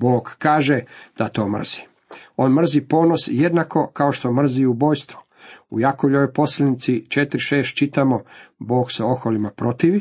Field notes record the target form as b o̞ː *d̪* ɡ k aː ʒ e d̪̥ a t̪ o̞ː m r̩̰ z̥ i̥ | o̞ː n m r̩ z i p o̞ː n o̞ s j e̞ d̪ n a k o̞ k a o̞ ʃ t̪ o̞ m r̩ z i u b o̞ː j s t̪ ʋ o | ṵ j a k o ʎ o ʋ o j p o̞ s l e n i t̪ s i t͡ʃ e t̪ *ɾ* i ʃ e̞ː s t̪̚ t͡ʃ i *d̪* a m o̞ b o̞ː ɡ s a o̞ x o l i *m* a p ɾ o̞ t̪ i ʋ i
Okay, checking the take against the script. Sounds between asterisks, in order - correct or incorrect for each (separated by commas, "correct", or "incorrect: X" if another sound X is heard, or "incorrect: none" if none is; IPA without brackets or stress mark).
incorrect: none, correct, incorrect: t̪, correct